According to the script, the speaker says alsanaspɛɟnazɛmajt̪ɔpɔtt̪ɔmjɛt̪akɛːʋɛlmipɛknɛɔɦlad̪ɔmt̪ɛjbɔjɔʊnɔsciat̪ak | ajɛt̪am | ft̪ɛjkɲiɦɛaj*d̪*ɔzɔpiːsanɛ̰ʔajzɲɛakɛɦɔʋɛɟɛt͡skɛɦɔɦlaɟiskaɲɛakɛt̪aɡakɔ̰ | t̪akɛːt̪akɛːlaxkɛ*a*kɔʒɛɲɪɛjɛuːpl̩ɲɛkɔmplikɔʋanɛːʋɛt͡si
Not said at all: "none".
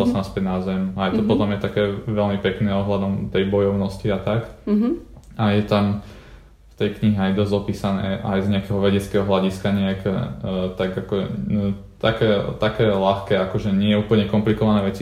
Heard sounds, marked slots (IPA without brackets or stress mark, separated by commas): d̪, a